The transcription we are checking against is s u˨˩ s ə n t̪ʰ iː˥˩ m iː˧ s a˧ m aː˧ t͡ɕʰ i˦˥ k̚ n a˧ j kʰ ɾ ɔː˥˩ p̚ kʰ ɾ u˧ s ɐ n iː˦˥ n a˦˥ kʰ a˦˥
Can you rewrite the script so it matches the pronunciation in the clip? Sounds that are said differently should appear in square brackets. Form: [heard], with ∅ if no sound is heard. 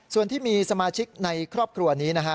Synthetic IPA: s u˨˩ [∅] ə n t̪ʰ iː˥˩ m iː˧ s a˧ m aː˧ t͡ɕʰ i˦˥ k̚ n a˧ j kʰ ɾ ɔː˥˩ p̚ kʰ ɾ u˧ [∅] ɐ n iː˦˥ n a˦˥ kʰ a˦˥